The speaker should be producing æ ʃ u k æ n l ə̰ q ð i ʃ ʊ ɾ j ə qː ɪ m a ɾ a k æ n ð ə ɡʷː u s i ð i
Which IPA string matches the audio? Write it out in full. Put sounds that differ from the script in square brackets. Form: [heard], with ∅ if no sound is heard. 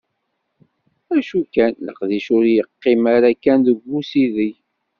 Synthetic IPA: æ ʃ u k æ n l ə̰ q ð i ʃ ʊ ɾ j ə qː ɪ m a ɾ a k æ n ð ə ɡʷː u s i ð i